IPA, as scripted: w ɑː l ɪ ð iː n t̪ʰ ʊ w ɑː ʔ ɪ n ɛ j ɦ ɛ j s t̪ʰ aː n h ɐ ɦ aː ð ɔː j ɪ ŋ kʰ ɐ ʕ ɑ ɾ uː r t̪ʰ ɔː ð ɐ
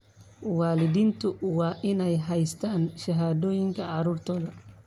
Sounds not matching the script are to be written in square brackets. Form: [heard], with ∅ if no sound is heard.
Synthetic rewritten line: w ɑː l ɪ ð iː n t̪ʰ ʊ w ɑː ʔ ɪ n ɛ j ɦ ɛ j s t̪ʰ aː n [ʃ] ɐ ɦ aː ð ɔː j ɪ ŋ kʰ ɐ ʕ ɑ ɾ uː r t̪ʰ ɔː ð ɐ